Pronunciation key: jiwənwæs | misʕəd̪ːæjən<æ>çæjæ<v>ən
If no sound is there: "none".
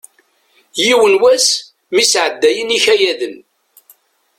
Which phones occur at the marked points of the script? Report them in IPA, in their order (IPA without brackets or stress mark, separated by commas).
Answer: i, ð